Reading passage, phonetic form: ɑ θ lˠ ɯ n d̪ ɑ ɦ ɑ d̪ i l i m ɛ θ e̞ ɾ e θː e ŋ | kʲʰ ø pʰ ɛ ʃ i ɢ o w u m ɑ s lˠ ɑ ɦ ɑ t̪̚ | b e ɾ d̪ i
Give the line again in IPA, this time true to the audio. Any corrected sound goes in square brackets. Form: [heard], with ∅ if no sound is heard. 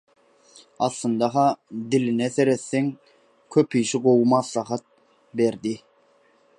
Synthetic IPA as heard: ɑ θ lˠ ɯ n d̪ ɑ ɦ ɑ d̪ i l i [n] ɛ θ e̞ ɾ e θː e ŋ | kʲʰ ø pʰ [i] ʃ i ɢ o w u m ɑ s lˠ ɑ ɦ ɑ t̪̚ | b e ɾ d̪ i

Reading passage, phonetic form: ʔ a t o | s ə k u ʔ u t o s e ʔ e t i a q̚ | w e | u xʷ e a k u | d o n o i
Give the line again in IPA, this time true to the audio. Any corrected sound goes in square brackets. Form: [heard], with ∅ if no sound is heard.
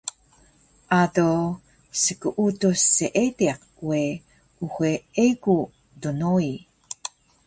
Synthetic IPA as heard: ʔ a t o | s ə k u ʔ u t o s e ʔ e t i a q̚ | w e | u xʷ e [e] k u | d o n o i

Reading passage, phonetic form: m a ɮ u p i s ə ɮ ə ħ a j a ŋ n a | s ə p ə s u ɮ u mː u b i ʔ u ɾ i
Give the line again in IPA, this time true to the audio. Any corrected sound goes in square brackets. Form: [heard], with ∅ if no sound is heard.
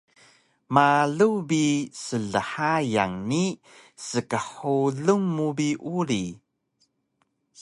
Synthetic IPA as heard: m a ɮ u [b] i s ə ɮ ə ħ a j a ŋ n [i] | s ə [k] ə [ħ] u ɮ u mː u b i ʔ u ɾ i

